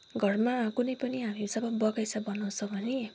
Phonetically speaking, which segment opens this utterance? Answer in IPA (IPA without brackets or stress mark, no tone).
ɡʱ